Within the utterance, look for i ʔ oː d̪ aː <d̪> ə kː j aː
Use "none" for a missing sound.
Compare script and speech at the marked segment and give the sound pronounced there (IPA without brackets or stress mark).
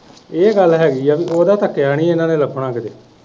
t̪